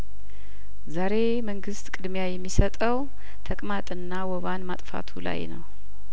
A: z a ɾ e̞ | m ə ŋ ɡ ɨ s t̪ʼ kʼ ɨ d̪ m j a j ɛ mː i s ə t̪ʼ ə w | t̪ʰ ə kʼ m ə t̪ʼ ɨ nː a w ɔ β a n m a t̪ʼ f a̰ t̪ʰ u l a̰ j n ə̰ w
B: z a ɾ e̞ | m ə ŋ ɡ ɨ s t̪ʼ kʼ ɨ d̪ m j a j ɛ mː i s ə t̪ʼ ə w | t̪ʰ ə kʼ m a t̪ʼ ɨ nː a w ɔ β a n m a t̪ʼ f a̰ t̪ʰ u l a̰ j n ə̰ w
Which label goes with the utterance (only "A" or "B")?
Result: B